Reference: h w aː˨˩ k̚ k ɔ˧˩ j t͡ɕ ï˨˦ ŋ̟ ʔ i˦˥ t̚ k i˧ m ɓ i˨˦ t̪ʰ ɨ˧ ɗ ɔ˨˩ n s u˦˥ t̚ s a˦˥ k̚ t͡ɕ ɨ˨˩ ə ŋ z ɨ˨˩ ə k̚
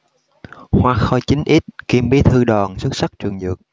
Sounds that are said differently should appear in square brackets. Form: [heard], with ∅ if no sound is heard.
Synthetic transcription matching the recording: h w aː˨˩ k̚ [x] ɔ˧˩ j t͡ɕ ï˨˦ ŋ̟ ʔ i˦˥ t̚ k i˧ m ɓ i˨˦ t̪ʰ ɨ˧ ɗ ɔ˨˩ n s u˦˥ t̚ s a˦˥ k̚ t͡ɕ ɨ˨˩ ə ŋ z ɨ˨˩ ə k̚

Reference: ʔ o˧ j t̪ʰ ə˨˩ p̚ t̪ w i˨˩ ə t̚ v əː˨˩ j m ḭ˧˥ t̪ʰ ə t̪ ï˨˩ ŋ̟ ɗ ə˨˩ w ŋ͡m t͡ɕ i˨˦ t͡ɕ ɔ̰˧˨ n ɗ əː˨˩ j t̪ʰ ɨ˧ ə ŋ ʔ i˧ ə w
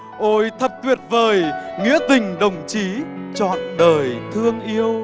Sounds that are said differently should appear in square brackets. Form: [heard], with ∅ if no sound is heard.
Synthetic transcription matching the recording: ʔ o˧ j t̪ʰ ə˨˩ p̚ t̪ w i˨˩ ə t̚ v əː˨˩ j [ŋ] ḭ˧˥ [∅] ə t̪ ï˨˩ ŋ̟ ɗ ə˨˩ w ŋ͡m t͡ɕ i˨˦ t͡ɕ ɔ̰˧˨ n ɗ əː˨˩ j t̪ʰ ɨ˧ ə ŋ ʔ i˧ ə w

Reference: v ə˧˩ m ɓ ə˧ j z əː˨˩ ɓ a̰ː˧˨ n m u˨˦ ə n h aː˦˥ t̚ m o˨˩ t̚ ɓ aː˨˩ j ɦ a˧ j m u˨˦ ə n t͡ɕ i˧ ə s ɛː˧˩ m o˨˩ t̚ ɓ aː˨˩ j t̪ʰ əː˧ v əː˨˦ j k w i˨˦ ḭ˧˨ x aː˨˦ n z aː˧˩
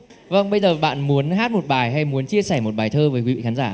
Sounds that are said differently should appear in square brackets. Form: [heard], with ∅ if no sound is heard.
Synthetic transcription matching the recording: v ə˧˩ [ŋ] ɓ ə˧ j z əː˨˩ ɓ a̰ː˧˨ n m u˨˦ ə n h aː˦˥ t̚ m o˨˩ t̚ ɓ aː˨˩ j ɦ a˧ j m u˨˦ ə n t͡ɕ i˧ ə s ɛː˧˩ m o˨˩ t̚ ɓ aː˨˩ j t̪ʰ əː˧ v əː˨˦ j k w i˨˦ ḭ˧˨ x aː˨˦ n z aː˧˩

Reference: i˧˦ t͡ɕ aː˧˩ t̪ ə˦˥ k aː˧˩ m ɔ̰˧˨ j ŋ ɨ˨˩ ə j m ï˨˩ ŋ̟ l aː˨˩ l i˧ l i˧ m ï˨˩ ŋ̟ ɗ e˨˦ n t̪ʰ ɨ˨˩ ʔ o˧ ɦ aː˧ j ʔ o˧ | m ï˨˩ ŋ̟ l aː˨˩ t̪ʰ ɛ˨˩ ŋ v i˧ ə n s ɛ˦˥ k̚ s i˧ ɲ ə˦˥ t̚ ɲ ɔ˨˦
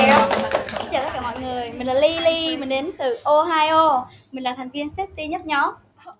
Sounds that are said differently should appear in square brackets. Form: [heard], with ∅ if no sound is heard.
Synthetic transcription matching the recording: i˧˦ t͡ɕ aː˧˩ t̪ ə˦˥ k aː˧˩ m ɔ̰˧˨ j ŋ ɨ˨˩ ə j m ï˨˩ ŋ̟ l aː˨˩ l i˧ l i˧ m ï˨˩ ŋ̟ ɗ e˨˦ n [t̪] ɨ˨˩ ʔ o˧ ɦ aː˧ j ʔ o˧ | m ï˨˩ ŋ̟ l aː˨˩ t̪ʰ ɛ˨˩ ŋ v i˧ ə n s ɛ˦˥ [t̚] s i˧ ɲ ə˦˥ t̚ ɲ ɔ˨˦

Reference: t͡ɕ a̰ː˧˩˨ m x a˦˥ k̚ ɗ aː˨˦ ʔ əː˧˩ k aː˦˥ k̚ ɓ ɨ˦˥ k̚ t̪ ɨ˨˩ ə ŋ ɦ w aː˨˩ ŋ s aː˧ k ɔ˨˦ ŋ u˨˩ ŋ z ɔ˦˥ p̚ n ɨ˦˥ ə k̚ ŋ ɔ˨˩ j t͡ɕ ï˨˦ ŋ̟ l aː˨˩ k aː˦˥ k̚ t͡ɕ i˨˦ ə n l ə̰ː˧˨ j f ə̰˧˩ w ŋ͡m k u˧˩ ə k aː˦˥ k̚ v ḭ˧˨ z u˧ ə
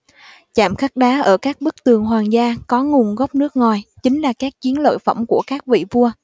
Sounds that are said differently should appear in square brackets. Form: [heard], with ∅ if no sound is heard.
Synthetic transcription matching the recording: t͡ɕ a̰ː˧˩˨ m x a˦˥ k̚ ɗ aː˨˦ ʔ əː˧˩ k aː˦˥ k̚ ɓ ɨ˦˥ k̚ t̪ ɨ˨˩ ə ŋ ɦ w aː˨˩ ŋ [z] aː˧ k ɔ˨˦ ŋ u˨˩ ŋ [ɣ] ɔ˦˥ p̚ n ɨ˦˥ ə k̚ ŋ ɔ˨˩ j t͡ɕ ï˨˦ ŋ̟ l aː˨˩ k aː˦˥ k̚ t͡ɕ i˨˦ ə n l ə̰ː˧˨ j f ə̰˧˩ w ŋ͡m k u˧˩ ə k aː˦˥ k̚ v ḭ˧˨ [v] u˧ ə

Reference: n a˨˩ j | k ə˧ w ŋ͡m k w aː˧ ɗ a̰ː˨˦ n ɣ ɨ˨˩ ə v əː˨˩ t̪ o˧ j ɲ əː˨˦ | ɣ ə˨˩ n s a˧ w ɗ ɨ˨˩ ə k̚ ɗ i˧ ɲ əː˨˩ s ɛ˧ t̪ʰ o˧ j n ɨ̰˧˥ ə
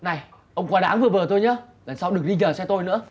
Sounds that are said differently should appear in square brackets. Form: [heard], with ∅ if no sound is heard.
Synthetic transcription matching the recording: n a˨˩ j | [ʔ] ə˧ w ŋ͡m k w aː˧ ɗ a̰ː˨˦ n [v] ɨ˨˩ ə v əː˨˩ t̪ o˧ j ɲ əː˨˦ | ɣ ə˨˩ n s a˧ w ɗ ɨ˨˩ ə k̚ ɗ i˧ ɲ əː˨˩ s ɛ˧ [t̪] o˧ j n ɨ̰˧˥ ə

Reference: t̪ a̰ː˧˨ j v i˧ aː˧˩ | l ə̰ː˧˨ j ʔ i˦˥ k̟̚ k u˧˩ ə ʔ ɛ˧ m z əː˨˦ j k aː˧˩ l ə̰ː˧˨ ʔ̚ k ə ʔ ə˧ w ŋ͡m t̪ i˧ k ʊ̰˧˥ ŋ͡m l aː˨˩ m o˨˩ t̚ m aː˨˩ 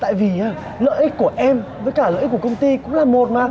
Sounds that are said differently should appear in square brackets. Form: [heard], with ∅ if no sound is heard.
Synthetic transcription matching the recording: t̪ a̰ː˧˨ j v [i˨˩] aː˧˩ | l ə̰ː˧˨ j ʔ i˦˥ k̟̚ k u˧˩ ə ʔ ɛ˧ m [v] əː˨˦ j k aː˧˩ l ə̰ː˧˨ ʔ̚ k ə [k] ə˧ w ŋ͡m t̪ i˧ k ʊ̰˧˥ ŋ͡m l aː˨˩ m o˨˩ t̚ m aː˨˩

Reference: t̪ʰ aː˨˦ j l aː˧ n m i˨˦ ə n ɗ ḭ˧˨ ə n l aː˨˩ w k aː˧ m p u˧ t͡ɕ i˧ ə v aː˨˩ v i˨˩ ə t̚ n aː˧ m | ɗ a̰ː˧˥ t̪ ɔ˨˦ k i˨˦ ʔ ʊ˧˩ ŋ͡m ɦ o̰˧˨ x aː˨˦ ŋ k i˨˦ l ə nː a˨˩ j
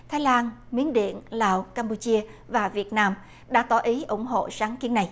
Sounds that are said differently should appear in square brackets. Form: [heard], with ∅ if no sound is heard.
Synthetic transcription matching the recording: t̪ʰ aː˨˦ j l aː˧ n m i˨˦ ə n ɗ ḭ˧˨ ə n l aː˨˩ w k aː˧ m p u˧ t͡ɕ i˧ ə v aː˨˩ v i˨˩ ə t̚ n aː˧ m | ɗ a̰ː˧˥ t̪ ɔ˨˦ [ʔ] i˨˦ ʔ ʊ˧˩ ŋ͡m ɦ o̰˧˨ [s] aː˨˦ ŋ k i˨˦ [∅] ə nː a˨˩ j

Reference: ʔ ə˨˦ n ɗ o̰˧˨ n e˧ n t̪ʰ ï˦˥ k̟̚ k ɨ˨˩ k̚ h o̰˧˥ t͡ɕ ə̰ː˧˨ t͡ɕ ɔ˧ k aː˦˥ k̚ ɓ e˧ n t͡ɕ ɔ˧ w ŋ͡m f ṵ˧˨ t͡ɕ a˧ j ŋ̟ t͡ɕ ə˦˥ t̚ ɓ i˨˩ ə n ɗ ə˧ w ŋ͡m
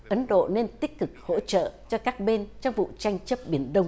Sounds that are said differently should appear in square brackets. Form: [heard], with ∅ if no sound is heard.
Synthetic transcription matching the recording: ʔ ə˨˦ n ɗ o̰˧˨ n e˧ n [t̪] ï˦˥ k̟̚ k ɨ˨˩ k̚ h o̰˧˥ t͡ɕ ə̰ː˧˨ t͡ɕ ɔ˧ k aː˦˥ k̚ ɓ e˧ n t͡ɕ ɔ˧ w ŋ͡m [v] ṵ˧˨ t͡ɕ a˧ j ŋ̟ t͡ɕ ə˦˥ [p̚] ɓ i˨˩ ə n ɗ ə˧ w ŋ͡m

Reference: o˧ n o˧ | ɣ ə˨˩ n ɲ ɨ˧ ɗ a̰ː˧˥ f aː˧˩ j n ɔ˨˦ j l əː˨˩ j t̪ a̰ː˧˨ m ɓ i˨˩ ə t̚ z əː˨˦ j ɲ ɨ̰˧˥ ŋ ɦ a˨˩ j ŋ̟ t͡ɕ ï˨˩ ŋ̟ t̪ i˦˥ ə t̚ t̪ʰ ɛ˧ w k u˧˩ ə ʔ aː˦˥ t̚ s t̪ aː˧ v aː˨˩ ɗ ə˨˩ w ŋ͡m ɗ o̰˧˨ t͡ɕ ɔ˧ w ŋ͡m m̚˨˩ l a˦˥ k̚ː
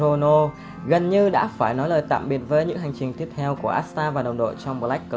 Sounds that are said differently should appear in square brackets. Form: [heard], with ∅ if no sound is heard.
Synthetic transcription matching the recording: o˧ n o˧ | ɣ ə˨˩ n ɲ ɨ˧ ɗ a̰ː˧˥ f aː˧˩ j n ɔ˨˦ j l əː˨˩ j t̪ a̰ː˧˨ m ɓ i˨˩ ə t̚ [v] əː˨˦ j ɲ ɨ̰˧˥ ŋ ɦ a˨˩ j ŋ̟ t͡ɕ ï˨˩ ŋ̟ t̪ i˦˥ ə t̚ t̪ʰ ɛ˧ w k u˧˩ ə ʔ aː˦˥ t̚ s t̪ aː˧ v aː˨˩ ɗ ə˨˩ w ŋ͡m ɗ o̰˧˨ t͡ɕ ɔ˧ w ŋ͡m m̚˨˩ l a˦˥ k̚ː

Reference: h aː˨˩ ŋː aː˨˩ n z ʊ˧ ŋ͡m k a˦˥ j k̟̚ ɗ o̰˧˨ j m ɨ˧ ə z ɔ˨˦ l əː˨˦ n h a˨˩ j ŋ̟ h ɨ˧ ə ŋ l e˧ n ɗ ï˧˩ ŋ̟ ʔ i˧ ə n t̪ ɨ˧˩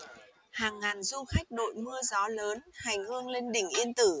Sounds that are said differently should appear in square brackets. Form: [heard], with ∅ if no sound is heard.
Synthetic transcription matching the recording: h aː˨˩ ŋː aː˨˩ n z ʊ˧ ŋ͡m [x] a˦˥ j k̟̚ ɗ o̰˧˨ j m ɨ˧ ə z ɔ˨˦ l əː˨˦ n h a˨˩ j ŋ̟ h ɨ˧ ə ŋ l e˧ n ɗ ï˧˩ ŋ̟ ʔ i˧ ə n t̪ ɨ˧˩

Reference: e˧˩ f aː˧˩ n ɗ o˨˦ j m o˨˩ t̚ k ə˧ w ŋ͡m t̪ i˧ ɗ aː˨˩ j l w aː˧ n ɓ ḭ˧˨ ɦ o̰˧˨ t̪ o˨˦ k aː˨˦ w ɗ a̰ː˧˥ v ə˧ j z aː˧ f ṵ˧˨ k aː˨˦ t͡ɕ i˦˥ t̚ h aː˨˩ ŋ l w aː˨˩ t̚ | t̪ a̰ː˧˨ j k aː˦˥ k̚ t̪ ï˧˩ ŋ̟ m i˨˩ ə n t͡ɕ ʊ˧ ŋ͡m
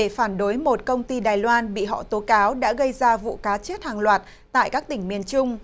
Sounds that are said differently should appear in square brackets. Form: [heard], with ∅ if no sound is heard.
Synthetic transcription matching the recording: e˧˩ f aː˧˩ n ɗ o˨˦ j m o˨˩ t̚ k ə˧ w ŋ͡m t̪ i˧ ɗ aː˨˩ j l w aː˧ n ɓ ḭ˧˨ ɦ [ɔ̰˧˨] t̪ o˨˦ k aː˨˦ w ɗ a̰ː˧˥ [ɣ] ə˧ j z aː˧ [v] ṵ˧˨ k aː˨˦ t͡ɕ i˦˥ t̚ h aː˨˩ ŋ l w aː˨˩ t̚ | t̪ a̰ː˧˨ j k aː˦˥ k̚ t̪ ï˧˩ ŋ̟ m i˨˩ ə n t͡ɕ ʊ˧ ŋ͡m

